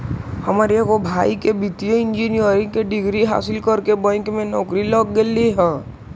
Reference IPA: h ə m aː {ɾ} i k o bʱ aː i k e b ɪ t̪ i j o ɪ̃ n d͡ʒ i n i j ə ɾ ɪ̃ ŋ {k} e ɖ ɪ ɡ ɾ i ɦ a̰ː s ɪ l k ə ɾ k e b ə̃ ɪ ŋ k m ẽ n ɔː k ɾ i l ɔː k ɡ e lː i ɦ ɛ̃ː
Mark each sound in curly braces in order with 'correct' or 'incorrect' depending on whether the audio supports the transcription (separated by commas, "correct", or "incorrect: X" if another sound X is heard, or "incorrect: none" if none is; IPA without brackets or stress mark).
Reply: correct, correct